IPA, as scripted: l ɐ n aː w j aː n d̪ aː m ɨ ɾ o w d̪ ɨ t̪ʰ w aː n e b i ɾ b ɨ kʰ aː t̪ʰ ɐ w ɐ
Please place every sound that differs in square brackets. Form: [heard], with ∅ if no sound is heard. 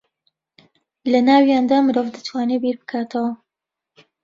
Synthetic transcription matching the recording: l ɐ n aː w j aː n d̪ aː m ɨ ɾ o [v] d̪ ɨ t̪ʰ w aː n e b i ɾ b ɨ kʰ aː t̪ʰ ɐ w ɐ

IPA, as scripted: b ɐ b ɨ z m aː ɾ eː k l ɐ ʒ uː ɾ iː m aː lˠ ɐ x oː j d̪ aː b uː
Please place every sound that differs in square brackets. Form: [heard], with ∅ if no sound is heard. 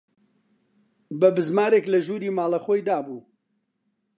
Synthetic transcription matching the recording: b ɐ b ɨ z m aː ɾ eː k l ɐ ʒ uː ɾ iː m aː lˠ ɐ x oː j d̪ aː b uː

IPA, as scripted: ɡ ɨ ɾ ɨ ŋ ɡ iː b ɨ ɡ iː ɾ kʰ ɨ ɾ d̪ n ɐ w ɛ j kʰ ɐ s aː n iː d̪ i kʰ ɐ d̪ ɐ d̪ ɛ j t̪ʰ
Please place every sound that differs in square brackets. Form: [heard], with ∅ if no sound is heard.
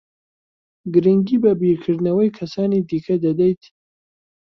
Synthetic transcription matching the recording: ɡ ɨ ɾ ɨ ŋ ɡ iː b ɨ [b] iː ɾ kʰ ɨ ɾ d̪ n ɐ w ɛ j kʰ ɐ s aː n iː d̪ i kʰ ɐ d̪ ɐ d̪ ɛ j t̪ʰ

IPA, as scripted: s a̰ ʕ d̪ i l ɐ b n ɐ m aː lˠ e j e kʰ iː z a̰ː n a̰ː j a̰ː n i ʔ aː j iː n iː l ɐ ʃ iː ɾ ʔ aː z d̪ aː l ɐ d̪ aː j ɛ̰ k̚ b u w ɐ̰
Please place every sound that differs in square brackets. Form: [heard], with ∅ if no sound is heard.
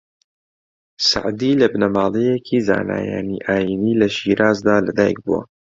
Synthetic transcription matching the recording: s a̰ ʕ d̪ i l ɐ b n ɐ m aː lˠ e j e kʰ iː z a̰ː n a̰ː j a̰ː n i ʔ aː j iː n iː l ɐ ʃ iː ɾ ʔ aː z d̪ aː l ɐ d̪ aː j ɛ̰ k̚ b u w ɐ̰

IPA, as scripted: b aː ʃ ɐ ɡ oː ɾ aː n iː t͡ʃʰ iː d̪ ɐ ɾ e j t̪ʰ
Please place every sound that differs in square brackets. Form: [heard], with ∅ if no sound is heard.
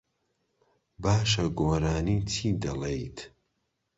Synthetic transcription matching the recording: b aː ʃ ɐ ɡ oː ɾ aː n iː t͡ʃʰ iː d̪ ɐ [l] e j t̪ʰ

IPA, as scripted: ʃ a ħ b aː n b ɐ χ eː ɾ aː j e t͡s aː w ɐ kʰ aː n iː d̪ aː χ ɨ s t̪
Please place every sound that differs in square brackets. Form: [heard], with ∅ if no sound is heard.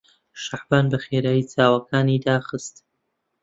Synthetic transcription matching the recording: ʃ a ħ b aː n b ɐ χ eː ɾ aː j [i] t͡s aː w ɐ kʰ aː n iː d̪ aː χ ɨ s t̪

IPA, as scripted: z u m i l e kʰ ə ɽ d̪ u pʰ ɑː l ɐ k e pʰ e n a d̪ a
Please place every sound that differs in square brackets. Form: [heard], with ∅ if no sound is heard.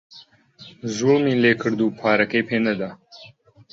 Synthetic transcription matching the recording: z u m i l e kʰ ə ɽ d̪ u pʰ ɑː [ɾ] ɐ k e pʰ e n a d̪ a

